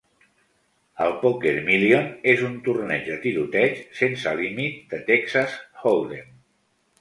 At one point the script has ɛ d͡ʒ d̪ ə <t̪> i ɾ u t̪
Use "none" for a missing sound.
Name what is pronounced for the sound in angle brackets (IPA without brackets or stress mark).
t̪